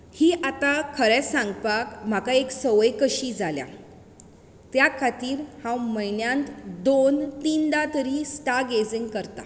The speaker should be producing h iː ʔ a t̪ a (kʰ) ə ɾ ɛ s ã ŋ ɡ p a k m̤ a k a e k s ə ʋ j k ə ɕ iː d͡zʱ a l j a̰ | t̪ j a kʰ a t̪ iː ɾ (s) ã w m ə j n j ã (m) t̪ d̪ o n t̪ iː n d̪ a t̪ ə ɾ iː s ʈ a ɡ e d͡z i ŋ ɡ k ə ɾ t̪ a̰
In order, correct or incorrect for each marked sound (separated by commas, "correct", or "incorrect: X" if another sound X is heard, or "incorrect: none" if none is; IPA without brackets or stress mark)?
correct, incorrect: h, incorrect: n